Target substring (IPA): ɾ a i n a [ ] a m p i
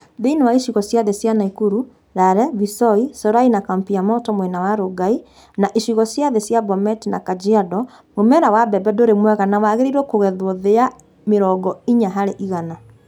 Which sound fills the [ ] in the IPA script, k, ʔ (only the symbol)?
k